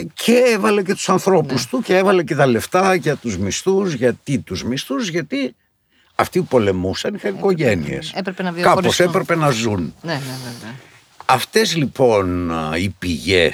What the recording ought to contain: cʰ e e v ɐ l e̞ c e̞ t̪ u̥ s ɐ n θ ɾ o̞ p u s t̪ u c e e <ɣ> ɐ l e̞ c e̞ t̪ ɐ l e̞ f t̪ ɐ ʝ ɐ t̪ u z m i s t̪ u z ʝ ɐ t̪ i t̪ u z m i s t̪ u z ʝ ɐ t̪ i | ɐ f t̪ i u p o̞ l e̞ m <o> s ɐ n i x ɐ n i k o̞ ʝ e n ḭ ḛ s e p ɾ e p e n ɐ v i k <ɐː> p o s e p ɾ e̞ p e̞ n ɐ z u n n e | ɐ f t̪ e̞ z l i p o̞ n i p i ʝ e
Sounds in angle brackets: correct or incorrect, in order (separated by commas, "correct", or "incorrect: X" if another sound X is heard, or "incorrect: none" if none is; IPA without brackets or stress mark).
incorrect: v, incorrect: u, incorrect: ɐ